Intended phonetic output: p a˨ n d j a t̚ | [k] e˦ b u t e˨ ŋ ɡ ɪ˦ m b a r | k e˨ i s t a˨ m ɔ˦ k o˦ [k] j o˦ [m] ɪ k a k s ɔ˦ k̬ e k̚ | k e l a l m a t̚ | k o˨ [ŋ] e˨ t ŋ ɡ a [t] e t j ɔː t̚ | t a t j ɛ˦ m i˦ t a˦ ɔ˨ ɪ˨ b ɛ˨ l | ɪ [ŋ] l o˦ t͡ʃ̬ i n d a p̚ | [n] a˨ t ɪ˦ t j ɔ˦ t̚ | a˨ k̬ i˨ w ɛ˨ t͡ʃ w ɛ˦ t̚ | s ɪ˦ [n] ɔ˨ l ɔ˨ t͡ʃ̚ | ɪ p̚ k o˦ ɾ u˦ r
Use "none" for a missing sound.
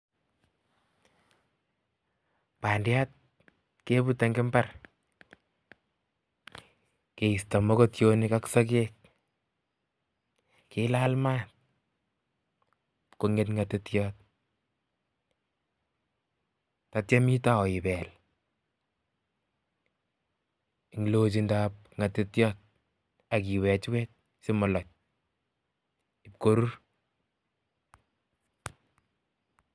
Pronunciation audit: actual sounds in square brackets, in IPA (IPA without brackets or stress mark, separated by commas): k, t, n, ŋ, t, ŋ, ŋ, m